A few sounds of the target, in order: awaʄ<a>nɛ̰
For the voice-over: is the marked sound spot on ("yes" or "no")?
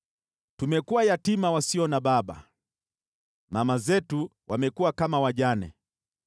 yes